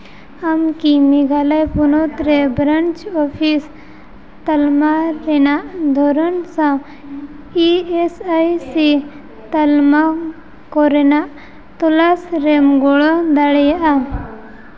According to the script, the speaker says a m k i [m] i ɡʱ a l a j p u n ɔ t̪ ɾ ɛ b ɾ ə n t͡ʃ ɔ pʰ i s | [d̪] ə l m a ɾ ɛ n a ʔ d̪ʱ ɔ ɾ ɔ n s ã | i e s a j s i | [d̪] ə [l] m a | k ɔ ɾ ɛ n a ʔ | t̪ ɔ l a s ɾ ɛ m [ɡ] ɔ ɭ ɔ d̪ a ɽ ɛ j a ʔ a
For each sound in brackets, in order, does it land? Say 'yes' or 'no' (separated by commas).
yes, no, no, yes, yes